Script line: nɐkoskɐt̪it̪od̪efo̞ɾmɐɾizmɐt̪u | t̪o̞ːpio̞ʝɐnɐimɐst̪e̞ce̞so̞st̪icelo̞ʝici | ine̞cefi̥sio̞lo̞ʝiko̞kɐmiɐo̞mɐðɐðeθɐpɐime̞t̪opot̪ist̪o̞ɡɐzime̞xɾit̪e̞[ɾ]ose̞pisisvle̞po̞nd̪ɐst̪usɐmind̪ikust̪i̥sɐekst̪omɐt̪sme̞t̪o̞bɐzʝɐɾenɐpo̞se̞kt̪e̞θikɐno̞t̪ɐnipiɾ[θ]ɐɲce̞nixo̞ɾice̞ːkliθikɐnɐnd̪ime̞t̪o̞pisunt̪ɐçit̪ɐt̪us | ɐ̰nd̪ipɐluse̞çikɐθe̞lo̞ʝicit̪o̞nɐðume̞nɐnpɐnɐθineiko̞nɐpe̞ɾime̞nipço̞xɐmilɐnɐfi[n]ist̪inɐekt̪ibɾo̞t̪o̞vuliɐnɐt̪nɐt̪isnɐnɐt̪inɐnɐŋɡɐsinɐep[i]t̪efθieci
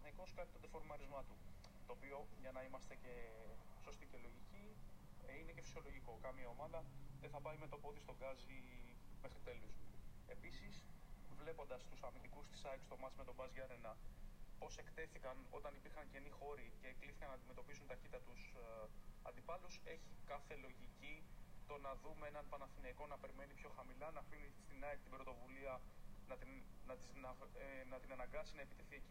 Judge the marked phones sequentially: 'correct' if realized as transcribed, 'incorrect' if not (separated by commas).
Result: incorrect, incorrect, correct, correct